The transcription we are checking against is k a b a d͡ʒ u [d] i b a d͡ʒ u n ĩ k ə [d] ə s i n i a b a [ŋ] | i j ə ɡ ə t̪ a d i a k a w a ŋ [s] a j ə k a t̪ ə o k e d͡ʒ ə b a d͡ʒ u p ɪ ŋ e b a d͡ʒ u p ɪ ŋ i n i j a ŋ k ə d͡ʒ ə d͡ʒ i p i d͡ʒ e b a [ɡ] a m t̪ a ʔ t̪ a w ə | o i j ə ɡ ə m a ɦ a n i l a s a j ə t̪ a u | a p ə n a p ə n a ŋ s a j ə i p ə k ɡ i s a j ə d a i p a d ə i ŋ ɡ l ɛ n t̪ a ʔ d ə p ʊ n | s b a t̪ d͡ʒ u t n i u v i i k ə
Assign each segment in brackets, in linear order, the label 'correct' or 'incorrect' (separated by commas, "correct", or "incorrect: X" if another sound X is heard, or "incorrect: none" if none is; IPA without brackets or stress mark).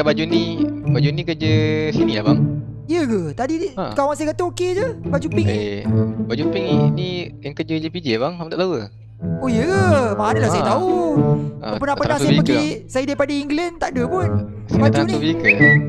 incorrect: n, incorrect: d͡ʒ, correct, correct, incorrect: ŋ